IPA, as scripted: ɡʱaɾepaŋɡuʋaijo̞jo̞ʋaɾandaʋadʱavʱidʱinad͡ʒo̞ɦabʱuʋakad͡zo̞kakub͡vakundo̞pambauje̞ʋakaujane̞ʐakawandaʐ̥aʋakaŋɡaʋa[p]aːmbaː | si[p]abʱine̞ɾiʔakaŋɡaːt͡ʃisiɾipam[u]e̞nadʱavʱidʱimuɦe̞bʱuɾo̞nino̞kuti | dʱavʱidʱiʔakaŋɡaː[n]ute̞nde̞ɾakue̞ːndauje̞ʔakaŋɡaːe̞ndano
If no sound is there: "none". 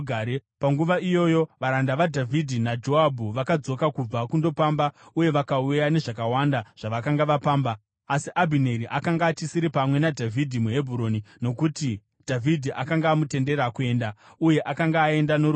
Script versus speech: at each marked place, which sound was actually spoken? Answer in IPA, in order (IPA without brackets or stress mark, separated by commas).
p, ʔ, w, m